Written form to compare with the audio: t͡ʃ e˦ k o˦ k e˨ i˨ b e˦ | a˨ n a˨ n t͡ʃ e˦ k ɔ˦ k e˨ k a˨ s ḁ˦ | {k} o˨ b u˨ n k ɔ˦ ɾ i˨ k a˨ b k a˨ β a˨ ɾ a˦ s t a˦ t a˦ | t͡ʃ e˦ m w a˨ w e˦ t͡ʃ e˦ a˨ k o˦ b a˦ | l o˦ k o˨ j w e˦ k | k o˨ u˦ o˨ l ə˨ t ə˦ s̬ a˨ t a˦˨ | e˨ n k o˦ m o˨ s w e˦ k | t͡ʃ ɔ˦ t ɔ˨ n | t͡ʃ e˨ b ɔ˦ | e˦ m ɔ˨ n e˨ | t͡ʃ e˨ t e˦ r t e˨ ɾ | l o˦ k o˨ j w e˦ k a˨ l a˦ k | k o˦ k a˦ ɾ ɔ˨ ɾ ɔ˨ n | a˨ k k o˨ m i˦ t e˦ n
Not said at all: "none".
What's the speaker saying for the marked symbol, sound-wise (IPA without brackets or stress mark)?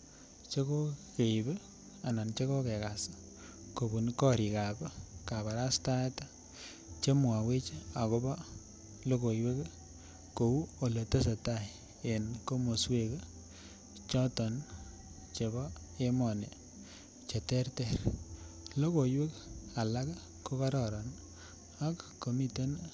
k